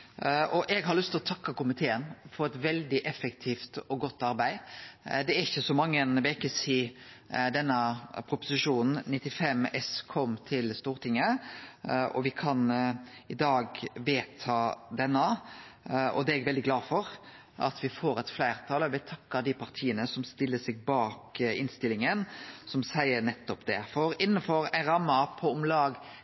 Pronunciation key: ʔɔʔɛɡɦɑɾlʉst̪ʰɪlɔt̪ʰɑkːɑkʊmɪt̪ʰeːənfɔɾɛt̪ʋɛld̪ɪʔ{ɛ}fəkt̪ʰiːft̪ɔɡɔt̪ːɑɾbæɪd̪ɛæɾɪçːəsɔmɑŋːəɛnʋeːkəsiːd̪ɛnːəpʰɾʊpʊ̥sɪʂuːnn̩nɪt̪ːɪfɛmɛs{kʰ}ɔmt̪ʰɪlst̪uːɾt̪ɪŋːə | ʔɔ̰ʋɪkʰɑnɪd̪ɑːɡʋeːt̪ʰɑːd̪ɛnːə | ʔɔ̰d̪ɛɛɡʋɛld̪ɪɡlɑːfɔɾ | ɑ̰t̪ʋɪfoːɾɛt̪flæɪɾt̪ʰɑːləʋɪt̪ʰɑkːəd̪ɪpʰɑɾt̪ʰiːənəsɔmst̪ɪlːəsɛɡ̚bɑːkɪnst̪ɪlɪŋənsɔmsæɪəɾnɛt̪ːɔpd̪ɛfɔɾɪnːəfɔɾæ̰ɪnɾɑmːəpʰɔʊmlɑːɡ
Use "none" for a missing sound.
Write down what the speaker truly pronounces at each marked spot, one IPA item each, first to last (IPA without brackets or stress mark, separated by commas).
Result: ɛ, kʰ